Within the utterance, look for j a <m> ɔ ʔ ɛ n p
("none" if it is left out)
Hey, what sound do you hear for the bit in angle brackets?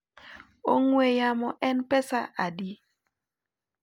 m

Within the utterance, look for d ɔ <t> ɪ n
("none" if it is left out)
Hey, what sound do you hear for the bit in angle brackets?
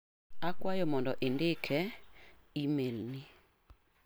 ʔ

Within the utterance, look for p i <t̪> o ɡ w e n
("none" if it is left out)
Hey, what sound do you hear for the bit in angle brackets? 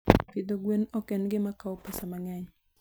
d̪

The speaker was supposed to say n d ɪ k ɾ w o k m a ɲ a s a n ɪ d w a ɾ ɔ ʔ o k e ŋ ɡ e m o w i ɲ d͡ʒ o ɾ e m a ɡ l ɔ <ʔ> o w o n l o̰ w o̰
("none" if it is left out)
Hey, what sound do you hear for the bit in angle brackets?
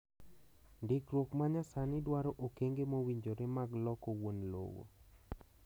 k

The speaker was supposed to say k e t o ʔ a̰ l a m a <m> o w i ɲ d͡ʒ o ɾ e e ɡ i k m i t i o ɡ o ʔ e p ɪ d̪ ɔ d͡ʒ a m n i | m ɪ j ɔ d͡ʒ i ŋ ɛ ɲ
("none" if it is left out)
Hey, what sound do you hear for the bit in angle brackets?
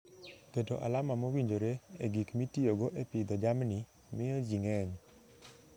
m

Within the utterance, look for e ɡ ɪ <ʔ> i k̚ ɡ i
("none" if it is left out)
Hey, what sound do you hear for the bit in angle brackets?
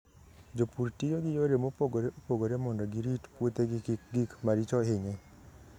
k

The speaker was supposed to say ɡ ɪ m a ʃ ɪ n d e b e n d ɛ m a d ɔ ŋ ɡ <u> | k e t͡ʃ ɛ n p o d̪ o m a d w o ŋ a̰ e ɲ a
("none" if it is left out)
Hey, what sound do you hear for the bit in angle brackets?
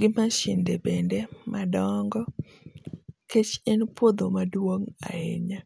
ɔ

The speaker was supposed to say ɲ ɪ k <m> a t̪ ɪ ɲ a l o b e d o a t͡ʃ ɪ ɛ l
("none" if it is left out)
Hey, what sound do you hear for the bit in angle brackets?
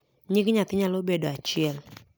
ɲ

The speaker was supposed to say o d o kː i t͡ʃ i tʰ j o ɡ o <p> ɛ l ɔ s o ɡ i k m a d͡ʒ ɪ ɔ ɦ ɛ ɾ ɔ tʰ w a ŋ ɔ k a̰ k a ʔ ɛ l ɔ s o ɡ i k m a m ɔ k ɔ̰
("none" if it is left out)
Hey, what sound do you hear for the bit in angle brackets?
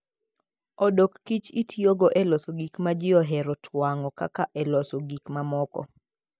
ʔ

